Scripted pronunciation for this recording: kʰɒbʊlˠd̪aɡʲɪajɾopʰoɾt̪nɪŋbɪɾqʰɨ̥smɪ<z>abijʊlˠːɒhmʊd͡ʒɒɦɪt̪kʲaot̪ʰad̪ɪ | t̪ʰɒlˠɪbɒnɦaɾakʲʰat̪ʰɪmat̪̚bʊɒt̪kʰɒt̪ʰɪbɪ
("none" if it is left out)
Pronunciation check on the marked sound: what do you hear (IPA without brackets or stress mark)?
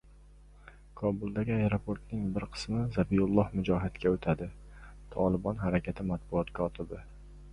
z